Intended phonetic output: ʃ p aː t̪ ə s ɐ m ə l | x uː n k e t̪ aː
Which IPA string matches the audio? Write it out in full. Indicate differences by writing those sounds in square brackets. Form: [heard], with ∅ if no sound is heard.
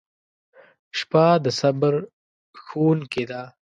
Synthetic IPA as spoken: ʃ p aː [d̪] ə s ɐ [b] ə [ɾ] | x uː n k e [d̪] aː